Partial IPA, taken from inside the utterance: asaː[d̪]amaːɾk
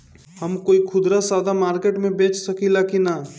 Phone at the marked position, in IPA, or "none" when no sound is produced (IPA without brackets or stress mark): d̪